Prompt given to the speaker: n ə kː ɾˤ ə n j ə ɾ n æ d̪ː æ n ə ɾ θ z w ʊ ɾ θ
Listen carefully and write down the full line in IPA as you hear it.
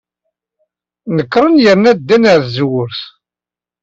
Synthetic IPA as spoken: n ə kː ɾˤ ə n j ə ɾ n æ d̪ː æ n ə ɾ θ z w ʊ ɾ θ